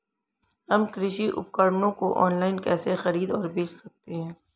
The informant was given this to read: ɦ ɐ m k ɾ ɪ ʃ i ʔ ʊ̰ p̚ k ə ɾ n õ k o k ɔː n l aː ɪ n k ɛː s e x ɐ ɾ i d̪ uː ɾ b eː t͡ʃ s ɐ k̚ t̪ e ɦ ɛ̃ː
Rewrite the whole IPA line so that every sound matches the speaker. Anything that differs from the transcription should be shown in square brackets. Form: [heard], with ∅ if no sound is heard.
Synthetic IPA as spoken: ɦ ɐ m k ɾ ɪ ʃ i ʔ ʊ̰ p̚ k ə ɾ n õ k o [ʔ] ɔː n l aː ɪ n k ɛː s e x ɐ ɾ [iː] d̪ [ɔː] ɾ b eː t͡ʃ s ɐ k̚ t̪ e ɦ ɛ̃ː